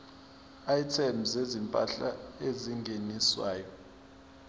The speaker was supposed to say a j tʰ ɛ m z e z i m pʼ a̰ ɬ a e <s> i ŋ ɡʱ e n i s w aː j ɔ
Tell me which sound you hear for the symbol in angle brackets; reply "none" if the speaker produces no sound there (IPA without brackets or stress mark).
z